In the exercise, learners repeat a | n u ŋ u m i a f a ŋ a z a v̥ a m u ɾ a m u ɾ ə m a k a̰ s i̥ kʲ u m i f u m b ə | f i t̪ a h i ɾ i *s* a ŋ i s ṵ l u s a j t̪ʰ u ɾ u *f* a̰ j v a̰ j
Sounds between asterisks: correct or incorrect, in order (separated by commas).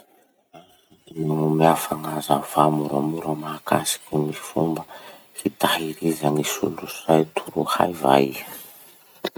incorrect, incorrect